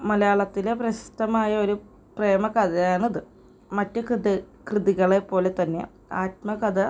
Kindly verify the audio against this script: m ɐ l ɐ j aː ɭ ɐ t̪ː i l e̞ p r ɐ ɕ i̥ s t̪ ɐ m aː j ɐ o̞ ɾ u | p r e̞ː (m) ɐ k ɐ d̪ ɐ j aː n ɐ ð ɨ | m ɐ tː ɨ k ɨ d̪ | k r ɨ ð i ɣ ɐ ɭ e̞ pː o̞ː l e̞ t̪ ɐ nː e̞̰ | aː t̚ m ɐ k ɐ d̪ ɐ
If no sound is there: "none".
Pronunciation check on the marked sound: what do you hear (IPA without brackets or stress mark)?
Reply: m